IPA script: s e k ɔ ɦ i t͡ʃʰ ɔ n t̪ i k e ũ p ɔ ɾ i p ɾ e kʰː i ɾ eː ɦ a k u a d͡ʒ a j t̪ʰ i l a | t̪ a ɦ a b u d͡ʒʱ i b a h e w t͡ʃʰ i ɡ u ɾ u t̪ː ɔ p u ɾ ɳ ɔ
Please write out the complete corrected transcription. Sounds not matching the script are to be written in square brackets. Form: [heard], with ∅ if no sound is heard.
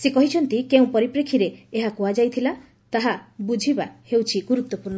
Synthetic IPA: s e k ɔ ɦ i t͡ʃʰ ɔ n t̪ i k e ũ p ɔ ɾ i p ɾ e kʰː i ɾ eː ɦ a k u a d͡ʒ a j t̪ʰ i l a | t̪ a ɦ a b u d͡ʒʱ i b a h e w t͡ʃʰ i ɡ u ɾ u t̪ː ɔ p u ɾ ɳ ɔ

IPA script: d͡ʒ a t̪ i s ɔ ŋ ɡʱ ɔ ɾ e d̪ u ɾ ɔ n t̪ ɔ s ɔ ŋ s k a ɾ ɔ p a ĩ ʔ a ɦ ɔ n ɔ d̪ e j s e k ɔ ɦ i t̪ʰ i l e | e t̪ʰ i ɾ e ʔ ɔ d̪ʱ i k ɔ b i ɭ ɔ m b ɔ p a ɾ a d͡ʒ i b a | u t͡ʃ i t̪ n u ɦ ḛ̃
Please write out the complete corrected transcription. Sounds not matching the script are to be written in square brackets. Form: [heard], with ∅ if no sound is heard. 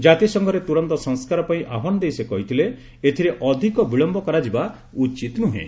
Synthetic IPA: d͡ʒ a t̪ i s ɔ ŋ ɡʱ ɔ ɾ e [t̪] u ɾ ɔ n t̪ ɔ s ɔ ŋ s k a ɾ ɔ p a ĩ ʔ a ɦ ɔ n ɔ d̪ e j s e k ɔ ɦ i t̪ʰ i l e | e t̪ʰ i ɾ e ʔ ɔ d̪ʱ i k ɔ b i ɭ ɔ m b ɔ [k] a ɾ a d͡ʒ i b a | u t͡ʃ i t̪ n u ɦ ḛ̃

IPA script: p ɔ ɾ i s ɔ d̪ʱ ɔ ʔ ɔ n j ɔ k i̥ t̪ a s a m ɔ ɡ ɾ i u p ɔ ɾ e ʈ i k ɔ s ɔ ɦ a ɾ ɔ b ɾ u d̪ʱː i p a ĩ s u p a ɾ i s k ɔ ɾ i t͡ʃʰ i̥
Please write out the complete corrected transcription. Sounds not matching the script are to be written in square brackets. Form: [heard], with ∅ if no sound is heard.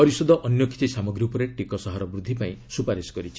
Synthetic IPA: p ɔ ɾ i s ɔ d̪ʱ ɔ ʔ ɔ n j ɔ k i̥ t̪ [i] s a m ɔ ɡ ɾ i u p ɔ ɾ e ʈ i k ɔ s ɔ ɦ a ɾ ɔ b ɾ u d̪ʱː i p a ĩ s u p a ɾ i s k ɔ ɾ i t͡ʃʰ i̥

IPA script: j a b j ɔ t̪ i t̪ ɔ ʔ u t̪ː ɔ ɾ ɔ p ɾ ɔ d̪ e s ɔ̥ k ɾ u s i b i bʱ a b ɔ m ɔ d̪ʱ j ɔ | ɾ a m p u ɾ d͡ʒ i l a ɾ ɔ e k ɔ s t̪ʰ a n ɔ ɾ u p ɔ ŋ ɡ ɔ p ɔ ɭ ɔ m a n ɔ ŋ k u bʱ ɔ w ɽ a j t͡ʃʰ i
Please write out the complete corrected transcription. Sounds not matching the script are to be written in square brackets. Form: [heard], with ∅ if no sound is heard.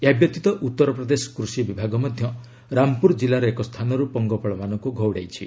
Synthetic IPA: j a b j ɔ t̪ i t̪ ɔ ʔ u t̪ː ɔ ɾ ɔ p ɾ ɔ d̪ e s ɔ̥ k ɾ u s i b i bʱ a [ɡ] ɔ m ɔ d̪ʱ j ɔ | ɾ a m p u ɾ d͡ʒ i l a ɾ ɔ e k ɔ s t̪ʰ a n ɔ ɾ u p ɔ ŋ ɡ ɔ p ɔ ɭ ɔ m a n ɔ ŋ k u [ɡʱ] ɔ w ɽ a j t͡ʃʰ i

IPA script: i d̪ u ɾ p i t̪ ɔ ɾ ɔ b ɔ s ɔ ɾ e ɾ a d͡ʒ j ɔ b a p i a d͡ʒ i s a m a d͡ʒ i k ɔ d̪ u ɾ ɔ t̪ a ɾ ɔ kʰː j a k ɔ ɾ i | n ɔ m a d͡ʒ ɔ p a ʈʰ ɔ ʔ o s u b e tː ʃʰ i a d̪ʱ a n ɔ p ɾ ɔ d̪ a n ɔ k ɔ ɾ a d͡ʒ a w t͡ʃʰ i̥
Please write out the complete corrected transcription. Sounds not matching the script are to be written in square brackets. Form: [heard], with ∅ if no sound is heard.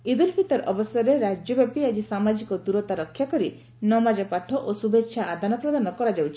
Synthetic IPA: i d̪ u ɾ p i t̪ ɔ ɾ ɔ b ɔ s ɔ ɾ e ɾ a d͡ʒ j ɔ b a p i a d͡ʒ i s a m a d͡ʒ i k ɔ d̪ u ɾ ɔ t̪ a ɾ ɔ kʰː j a k ɔ ɾ i | n ɔ m a d͡ʒ ɔ p a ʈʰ ɔ ʔ o s u b e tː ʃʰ [a] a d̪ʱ a n ɔ p ɾ ɔ d̪ a n ɔ k ɔ ɾ a d͡ʒ a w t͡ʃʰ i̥

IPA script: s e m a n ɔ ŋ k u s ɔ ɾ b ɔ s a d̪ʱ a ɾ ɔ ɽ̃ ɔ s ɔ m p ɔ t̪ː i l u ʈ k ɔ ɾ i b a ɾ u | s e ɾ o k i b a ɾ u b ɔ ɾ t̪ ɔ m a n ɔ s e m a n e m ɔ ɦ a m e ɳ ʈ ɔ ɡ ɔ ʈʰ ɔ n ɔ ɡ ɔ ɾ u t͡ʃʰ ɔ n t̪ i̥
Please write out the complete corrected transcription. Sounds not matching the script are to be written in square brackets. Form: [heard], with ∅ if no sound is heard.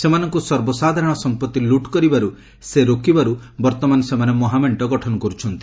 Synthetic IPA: s e m a n ɔ ŋ k u s ɔ ɾ b ɔ s a d̪ʱ a ɾ ɔ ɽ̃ ɔ s ɔ m p ɔ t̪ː i l u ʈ k ɔ ɾ i b a ɾ u | s e ɾ o k i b a ɾ u b ɔ ɾ t̪ ɔ m a n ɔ s e m a n e m ɔ ɦ a m e ɳ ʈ ɔ ɡ ɔ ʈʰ ɔ n ɔ [k] ɔ ɾ u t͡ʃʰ ɔ n t̪ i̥

